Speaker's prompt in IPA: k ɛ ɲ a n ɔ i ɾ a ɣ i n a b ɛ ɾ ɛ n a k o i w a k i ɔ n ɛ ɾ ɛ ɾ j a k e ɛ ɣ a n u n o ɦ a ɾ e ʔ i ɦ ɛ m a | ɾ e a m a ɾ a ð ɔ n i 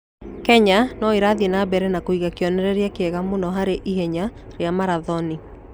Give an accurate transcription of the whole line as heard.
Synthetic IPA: k ɛ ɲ a n ɔ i ɾ a ð i n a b ɛ ɾ ɛ n a k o i ɣ a k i ɔ n ɛ ɾ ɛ ɾ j a k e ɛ ɣ a m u n ɔ ɦ a ɾ e ʔ i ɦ ɛ ɲ a | ɾ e a m a ɾ a ð ɔ n i